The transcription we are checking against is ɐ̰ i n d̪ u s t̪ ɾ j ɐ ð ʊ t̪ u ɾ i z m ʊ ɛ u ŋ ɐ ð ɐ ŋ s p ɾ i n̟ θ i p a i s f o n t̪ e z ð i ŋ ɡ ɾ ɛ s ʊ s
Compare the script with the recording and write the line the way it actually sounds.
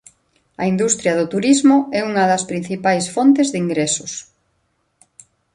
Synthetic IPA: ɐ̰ i n d̪ u s t̪ ɾ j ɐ ð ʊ t̪ u ɾ i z m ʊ ɛ u ŋ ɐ ð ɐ s p ɾ i n̟ θ i p a j s f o n t̪ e z ð i ŋ ɡ ɾ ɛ s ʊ s